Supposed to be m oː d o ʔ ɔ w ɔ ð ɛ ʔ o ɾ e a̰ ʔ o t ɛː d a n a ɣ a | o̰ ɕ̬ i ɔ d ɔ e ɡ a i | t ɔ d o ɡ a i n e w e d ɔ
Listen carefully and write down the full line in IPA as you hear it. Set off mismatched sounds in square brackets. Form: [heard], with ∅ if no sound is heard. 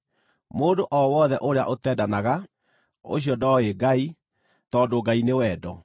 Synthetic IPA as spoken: m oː d o ʔ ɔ w ɔ ð ɛ ʔ o ɾ e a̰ ʔ o t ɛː d a n a ɣ a | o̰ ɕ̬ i ɔ d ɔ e ɡ a i | t ɔ d o ɡ a i n e w [ɛ] d ɔ